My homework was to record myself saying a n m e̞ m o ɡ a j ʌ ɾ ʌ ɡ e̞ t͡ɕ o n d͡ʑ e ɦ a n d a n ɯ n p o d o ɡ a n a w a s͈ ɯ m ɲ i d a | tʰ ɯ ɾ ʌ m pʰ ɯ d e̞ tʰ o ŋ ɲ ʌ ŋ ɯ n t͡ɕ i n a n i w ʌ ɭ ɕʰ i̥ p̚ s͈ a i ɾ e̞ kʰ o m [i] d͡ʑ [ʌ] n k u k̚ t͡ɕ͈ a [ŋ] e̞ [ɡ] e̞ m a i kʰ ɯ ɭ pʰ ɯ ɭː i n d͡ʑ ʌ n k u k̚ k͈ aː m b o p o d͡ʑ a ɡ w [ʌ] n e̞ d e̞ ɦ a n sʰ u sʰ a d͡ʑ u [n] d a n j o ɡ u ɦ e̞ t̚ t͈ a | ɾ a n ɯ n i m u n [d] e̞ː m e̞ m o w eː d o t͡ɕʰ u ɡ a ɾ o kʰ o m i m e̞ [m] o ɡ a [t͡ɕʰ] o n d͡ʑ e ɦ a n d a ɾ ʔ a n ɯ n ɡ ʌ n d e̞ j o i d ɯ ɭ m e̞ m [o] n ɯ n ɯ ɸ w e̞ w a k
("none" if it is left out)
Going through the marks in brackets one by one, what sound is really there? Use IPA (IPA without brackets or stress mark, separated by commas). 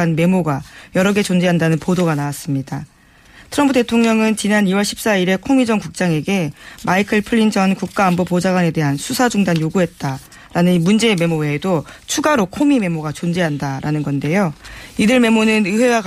i, ʌ, ŋ, ɡ, a, ŋ, d͡ʑ, m, t͡ɕ, o